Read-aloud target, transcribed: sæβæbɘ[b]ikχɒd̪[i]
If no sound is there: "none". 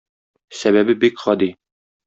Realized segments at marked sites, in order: b, i

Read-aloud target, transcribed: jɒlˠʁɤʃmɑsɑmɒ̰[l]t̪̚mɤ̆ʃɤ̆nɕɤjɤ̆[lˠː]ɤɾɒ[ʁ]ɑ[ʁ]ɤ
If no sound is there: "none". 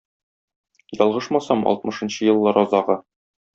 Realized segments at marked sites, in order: l, lˠː, z, ʁ

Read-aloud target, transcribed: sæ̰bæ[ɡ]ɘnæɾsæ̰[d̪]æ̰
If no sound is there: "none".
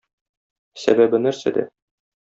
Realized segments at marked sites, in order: b, d̪

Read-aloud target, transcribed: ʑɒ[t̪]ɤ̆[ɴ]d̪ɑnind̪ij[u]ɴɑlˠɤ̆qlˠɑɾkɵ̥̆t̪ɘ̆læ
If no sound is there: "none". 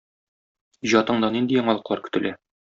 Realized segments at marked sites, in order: t̪, ɴ, ɒ

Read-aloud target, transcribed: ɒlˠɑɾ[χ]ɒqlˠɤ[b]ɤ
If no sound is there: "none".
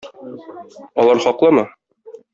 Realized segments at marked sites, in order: χ, m

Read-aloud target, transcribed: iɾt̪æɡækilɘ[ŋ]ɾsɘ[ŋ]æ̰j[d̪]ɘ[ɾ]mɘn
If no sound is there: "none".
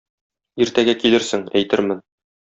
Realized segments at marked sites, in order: none, ŋ, t̪, ɾ

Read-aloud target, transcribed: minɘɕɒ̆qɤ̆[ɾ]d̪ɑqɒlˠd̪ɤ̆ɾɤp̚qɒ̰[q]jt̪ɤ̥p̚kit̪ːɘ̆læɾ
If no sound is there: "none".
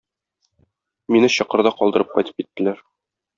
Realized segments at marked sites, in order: ɾ, none

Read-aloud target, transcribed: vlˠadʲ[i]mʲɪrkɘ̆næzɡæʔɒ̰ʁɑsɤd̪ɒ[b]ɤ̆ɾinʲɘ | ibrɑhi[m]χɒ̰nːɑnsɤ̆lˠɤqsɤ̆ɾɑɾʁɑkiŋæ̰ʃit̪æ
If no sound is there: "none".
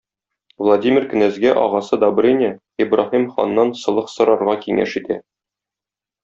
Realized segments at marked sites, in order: i, b, m

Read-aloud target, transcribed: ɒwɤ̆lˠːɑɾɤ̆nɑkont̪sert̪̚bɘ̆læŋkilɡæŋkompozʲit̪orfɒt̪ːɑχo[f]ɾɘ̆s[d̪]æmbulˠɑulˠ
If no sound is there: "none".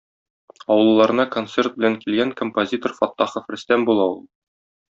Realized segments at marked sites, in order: f, t̪

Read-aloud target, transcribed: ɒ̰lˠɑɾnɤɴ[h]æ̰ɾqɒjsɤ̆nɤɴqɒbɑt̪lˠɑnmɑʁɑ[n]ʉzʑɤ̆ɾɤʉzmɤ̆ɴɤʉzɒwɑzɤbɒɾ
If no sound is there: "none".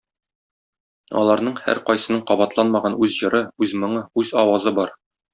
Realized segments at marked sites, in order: h, n

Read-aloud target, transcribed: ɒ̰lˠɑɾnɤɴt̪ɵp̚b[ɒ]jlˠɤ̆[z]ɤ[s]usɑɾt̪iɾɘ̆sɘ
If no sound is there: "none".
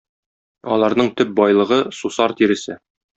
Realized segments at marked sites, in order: ɒ, ʁ, s

